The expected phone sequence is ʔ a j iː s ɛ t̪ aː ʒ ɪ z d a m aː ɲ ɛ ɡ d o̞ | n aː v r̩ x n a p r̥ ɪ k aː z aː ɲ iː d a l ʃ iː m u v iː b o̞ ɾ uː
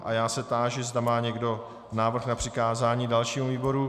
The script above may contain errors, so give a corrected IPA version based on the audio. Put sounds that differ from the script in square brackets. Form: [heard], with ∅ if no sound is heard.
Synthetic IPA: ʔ a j [aː] s ɛ t̪ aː ʒ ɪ z d a m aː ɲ ɛ ɡ d o̞ | n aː v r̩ x n a p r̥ ɪ k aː z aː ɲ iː d a l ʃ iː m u v iː b o̞ ɾ [u]